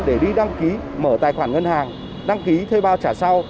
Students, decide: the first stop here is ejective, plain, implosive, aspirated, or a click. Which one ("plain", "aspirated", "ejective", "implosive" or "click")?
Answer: implosive